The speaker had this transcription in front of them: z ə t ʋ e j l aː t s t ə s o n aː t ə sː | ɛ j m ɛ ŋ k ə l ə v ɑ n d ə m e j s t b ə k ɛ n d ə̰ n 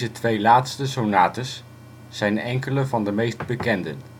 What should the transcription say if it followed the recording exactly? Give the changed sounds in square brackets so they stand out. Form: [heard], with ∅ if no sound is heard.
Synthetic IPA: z ə t ʋ e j l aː t s t ə s o n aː t ə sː | ɛ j [n] ɛ ŋ k ə l ə v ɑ n d ə m e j s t b ə k ɛ n d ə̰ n